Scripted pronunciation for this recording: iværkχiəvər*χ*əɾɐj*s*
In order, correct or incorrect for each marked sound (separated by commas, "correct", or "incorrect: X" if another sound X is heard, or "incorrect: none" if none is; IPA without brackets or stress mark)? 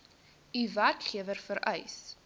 incorrect: f, correct